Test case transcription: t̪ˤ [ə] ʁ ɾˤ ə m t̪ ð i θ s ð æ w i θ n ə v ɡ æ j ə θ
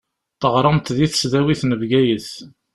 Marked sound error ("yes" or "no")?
no